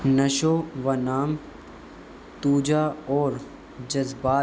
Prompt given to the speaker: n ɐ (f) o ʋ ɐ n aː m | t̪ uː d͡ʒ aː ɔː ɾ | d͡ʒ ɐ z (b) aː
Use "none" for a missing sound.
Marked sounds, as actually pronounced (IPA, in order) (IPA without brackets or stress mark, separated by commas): ʃ, b